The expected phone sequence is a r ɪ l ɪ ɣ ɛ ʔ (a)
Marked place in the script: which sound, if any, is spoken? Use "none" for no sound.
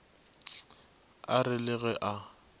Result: a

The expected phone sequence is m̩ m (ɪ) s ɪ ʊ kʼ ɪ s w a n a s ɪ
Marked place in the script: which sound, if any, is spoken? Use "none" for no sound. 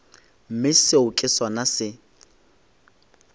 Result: ɪ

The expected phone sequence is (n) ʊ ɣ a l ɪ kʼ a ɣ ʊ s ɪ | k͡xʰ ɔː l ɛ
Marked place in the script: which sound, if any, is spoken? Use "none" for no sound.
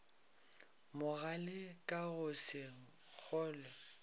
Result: m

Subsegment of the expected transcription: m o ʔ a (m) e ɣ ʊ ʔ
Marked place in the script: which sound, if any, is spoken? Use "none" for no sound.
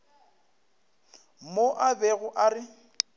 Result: b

